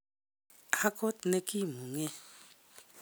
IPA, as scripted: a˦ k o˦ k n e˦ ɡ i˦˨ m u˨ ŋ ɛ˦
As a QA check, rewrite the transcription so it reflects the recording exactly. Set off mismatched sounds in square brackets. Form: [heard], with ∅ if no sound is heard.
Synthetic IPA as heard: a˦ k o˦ [t] n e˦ [k] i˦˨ m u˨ ŋ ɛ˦